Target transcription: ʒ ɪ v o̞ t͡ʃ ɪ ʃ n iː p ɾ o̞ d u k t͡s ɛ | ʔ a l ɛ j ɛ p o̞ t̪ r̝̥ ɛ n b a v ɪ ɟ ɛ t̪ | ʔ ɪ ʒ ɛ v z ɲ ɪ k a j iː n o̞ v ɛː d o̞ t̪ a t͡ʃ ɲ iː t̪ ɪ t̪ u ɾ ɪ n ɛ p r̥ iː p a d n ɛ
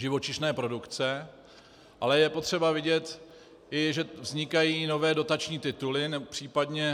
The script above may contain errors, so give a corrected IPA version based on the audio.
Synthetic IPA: ʒ ɪ v o̞ t͡ʃ ɪ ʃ n ɛː p ɾ o̞ d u k t͡s ɛ | ʔ a l ɛ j ɛ p o̞ t̪ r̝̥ ɛ b a v ɪ ɟ ɛ t̪ | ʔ ɪ ʒ ɛ v z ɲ ɪ k a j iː n o̞ v ɛː d o̞ t̪ a t͡ʃ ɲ iː t̪ ɪ t̪ u l ɪ n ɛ p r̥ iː p a d ɲ ɛ